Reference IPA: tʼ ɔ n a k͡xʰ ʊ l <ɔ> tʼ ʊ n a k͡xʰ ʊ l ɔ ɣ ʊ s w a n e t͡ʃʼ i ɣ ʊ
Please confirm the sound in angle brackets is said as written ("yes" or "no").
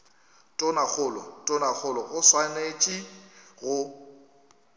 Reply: yes